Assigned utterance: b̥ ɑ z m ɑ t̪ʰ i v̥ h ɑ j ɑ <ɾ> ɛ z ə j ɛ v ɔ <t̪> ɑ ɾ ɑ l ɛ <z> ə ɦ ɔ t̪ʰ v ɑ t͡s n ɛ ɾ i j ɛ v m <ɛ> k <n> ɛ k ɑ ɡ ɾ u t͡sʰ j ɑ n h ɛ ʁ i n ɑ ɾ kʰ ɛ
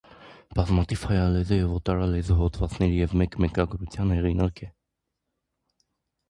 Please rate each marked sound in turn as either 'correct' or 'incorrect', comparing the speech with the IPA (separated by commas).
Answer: incorrect, correct, correct, correct, incorrect